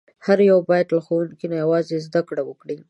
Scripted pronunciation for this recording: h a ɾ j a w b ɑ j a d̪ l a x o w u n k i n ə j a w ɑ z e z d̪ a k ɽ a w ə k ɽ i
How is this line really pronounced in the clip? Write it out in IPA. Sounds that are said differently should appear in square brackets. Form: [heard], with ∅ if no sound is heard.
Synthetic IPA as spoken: h a ɾ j a w b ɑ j a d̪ l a x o w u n k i n [a] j a w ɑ z e z d̪ a k ɽ a w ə k ɽ i